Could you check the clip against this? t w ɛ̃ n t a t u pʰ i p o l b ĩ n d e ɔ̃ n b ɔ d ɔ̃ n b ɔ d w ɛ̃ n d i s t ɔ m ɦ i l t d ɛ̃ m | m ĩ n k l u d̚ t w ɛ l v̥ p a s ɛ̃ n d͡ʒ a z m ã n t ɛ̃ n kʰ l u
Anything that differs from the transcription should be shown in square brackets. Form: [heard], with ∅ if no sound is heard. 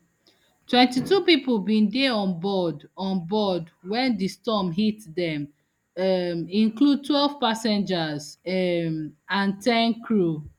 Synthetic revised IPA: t w ɛ̃ n t [i] t u [p] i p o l b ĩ n d e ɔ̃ n b ɔ d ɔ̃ n b ɔ d w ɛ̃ n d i s t ɔ m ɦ i [∅] t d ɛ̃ m | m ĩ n k l u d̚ t w ɛ l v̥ p a s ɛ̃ n d͡ʒ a z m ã n t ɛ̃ n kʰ [ɹ] u

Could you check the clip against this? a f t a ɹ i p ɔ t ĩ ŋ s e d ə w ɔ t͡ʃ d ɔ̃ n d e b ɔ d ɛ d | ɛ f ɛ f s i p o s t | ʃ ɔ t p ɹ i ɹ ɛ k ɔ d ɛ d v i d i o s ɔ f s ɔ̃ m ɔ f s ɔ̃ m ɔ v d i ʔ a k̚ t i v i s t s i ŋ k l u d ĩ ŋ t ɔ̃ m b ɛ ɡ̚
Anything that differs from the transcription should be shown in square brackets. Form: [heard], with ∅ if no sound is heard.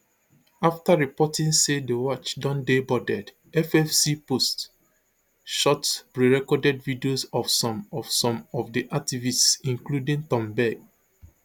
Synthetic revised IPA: a f t a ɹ i p ɔ t ĩ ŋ s e d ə w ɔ t͡ʃ d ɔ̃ n d e b ɔ d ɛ d | ɛ f ɛ f s i p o s t | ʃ ɔ t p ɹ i ɹ ɛ k ɔ d ɛ d v i d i o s ɔ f s ɔ̃ m ɔ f s ɔ̃ m ɔ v d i ʔ a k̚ t i v i s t s [ĩ] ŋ k l u d ĩ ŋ t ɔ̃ m b ɛ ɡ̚

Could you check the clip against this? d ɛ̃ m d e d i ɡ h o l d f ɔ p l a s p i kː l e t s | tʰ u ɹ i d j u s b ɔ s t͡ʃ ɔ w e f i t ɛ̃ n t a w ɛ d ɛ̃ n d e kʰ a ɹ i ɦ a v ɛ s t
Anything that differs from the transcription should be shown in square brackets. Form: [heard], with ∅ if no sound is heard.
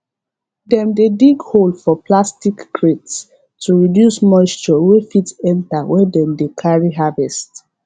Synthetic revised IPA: d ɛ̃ m d e d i ɡ h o l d f ɔ p l a s [t] i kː [ɹ] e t s | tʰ u ɹ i d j u s [m] ɔ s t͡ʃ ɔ w e f i t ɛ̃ n t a w ɛ d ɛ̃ [m] d e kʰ a ɹ i ɦ a v ɛ s t

